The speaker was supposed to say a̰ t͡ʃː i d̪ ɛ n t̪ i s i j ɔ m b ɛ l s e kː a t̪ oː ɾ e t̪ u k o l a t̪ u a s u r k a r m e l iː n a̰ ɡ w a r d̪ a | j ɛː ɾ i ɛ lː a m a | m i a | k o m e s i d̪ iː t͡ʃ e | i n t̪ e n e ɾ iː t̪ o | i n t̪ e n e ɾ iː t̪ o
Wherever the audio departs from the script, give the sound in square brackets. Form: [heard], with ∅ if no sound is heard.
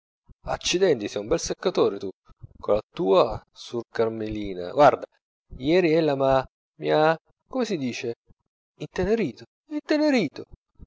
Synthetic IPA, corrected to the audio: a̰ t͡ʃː i d̪ ɛ n t̪ i s [ɛ] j [u] m b ɛ l s e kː a t̪ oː ɾ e t̪ u k o l a t̪ [uː] a s u r k a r m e l iː n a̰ ɡ w a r d̪ a | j ɛː ɾ i ɛ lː a m a | m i a | k o m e s i d̪ iː t͡ʃ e | i n t̪ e n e ɾ iː t̪ o | i n t̪ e n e ɾ iː t̪ o